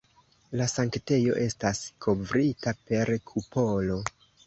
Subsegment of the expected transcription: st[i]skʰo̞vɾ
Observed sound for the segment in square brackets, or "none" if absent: a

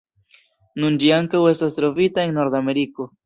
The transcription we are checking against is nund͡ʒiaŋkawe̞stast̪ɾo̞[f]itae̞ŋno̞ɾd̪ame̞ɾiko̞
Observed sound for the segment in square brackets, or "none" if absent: v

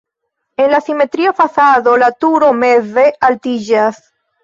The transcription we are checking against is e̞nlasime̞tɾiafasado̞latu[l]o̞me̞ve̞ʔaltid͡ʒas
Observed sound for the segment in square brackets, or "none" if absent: ɾ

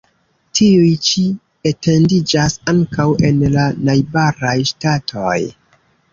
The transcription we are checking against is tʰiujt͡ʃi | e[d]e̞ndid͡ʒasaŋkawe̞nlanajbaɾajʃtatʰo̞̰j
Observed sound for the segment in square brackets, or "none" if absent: t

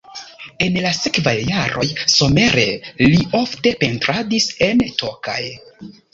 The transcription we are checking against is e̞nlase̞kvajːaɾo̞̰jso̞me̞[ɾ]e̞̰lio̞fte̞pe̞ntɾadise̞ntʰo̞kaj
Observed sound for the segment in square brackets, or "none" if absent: ɾ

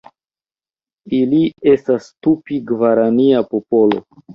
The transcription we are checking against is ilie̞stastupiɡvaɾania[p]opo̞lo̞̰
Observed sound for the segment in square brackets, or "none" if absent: p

